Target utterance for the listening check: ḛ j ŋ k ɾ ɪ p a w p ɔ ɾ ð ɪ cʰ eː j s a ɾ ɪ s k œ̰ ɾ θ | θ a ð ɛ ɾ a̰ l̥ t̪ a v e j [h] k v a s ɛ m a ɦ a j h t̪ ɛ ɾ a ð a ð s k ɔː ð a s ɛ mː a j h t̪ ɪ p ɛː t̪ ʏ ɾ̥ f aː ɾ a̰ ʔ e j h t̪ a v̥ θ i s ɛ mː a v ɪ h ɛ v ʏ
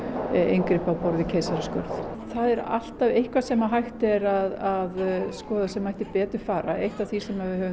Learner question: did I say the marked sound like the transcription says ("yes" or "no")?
yes